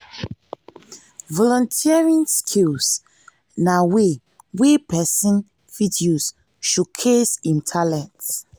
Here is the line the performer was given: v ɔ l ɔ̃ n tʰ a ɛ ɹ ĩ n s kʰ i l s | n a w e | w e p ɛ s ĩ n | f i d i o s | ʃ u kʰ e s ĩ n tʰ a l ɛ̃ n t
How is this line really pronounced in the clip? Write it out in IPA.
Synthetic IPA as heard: v ɔ l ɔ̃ n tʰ i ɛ ɹ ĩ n s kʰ i l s | n a w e | w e p ɛ s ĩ n | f i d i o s | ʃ u kʰ e s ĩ n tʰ a l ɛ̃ n t